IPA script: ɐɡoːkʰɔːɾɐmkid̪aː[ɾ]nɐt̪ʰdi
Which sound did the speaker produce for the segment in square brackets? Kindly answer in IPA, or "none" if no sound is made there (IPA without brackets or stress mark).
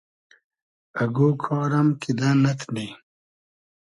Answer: none